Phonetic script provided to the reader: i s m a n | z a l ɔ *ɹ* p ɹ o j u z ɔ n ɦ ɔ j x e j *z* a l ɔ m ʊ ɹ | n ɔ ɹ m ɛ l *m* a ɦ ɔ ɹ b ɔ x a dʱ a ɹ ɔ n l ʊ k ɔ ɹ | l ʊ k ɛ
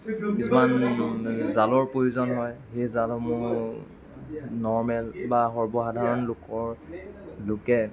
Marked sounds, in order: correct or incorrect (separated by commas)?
correct, correct, incorrect